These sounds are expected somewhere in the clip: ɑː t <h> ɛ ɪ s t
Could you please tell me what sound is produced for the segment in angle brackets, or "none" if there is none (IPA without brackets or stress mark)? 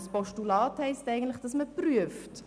h